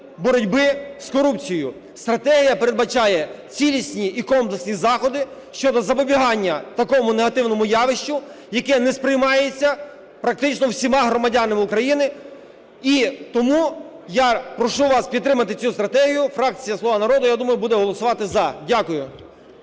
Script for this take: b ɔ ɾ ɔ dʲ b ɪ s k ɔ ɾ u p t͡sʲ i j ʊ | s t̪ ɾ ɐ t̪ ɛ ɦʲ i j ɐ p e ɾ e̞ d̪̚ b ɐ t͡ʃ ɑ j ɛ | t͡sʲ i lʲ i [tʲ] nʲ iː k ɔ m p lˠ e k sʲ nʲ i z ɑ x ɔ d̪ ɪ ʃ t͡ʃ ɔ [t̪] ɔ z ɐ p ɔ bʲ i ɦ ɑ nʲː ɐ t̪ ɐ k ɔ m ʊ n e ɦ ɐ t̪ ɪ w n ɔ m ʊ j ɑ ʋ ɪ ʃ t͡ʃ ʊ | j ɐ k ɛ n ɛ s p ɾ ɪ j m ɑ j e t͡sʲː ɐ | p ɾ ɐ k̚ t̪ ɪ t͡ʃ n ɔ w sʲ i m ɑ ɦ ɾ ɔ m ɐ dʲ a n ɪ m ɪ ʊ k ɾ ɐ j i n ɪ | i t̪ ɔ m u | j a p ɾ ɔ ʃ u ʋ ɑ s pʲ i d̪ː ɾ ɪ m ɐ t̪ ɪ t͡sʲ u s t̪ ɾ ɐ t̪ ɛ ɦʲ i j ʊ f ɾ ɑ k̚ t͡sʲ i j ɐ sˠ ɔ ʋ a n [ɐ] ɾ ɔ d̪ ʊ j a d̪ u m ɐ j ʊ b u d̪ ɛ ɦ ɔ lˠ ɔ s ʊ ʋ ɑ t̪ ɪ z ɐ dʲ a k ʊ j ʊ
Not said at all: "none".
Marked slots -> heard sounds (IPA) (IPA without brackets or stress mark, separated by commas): sʲ, d̪, ɐ